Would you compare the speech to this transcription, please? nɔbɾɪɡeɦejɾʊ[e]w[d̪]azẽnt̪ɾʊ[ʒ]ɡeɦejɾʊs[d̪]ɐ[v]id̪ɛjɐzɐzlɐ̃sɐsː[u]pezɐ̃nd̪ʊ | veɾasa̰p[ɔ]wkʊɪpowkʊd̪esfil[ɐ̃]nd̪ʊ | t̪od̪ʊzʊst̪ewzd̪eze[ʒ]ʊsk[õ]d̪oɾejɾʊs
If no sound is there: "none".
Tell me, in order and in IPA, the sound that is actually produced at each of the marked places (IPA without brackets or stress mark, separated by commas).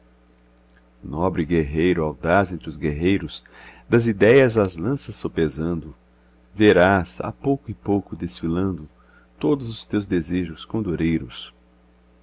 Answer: a, d̪, z, d̪, z, o, o, ɐ̃, ʒ, õ